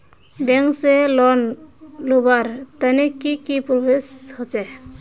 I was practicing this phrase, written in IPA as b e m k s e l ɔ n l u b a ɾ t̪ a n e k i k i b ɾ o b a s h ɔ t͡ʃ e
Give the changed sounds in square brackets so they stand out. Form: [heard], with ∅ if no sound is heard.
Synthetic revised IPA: b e [ŋ] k s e l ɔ n l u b a ɾ t̪ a n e k i k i [p] ɾ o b [e] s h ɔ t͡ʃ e